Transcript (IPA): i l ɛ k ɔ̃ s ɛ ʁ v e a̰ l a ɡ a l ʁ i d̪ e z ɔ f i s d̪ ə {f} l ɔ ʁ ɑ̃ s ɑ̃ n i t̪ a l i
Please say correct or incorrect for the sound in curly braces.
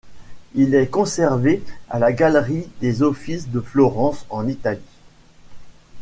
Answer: correct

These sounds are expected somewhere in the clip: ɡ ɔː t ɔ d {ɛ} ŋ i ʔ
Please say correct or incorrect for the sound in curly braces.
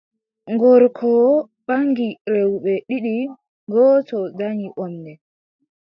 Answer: incorrect: a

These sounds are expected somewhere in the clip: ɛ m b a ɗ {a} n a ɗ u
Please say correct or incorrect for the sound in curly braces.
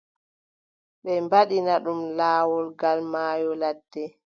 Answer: incorrect: i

